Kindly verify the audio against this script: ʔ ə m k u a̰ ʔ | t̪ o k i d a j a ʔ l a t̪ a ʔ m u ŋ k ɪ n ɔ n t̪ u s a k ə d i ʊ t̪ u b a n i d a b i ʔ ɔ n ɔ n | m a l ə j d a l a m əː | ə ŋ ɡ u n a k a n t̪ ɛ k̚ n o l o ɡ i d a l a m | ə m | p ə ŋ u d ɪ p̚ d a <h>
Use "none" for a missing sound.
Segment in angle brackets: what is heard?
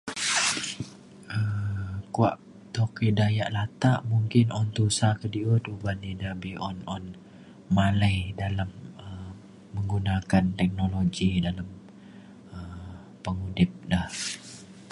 h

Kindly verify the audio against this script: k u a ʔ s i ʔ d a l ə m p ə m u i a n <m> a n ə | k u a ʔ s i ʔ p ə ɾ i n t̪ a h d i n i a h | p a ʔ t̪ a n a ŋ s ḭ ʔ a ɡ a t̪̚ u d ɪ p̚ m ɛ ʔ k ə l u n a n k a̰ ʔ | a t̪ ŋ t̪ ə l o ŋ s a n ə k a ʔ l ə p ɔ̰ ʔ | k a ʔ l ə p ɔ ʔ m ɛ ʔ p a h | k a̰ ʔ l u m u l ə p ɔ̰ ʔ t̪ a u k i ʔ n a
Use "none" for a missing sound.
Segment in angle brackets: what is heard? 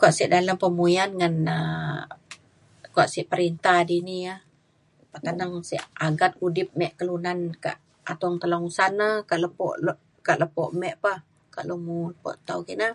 ŋ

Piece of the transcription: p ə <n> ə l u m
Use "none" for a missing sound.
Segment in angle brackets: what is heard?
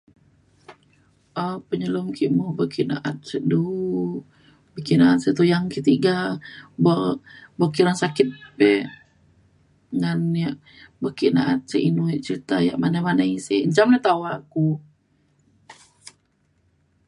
ɲ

